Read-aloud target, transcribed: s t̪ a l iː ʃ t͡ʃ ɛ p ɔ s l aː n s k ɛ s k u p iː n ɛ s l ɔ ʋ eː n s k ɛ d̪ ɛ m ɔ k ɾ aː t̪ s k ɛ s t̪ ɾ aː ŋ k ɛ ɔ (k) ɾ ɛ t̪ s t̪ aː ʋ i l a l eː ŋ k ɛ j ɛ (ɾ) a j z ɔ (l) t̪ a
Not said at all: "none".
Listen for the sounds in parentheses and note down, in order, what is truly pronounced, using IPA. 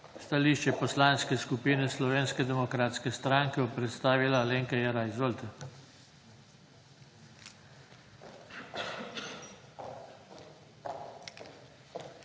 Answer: p, ɾ, l

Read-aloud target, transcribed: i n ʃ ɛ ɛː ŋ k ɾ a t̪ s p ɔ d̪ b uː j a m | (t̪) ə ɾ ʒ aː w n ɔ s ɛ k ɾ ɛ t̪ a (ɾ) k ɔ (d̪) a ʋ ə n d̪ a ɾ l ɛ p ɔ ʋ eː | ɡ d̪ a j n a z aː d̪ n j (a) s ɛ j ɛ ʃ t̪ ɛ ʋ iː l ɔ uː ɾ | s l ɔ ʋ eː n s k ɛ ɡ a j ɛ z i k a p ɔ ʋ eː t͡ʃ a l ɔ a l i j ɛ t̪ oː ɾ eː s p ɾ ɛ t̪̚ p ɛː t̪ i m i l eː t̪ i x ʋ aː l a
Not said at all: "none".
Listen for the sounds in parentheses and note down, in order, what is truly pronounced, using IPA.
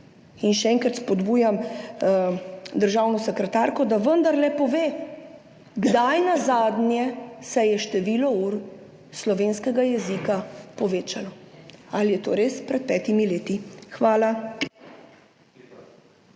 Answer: d̪, ɾ, d̪, ɛ

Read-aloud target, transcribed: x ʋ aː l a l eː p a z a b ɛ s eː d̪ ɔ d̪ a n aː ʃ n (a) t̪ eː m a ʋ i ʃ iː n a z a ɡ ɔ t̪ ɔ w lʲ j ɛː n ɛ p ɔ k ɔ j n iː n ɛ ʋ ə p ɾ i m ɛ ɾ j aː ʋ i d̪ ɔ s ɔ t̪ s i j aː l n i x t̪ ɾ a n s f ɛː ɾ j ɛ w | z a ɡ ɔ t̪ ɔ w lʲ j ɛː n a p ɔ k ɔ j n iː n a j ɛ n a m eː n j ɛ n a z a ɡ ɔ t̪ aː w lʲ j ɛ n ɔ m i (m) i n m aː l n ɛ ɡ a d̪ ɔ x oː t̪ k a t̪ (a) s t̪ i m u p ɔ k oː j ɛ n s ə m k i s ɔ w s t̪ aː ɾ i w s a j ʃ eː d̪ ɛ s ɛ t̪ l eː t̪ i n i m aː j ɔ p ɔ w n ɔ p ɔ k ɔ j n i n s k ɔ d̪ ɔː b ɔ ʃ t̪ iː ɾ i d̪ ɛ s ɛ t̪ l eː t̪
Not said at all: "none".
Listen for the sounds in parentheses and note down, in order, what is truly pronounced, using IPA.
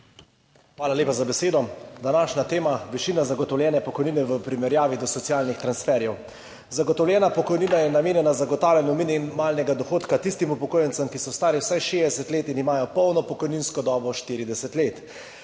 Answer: a, n, i

